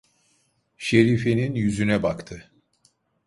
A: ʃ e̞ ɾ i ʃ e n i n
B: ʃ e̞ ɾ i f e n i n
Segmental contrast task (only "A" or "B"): B